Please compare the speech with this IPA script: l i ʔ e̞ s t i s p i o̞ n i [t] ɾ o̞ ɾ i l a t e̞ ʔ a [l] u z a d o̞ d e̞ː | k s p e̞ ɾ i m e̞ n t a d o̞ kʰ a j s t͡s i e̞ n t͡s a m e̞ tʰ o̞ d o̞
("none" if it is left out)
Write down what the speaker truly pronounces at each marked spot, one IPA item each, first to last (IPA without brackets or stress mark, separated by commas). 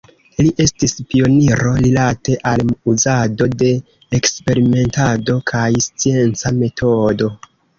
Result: none, l